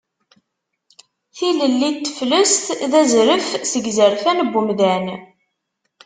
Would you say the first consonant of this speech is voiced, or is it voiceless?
voiceless